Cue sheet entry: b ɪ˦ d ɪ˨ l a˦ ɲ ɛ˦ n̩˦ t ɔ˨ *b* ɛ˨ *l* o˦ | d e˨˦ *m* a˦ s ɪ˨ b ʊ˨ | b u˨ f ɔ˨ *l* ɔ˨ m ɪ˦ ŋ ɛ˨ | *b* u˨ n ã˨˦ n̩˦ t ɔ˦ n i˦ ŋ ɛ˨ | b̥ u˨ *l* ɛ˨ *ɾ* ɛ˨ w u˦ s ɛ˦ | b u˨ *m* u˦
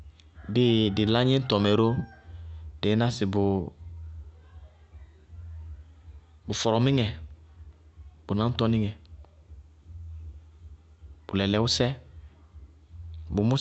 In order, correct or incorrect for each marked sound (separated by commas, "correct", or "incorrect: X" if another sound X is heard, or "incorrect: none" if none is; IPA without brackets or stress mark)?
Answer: incorrect: m, incorrect: ɾ, incorrect: n, incorrect: ɾ, correct, correct, incorrect: l, correct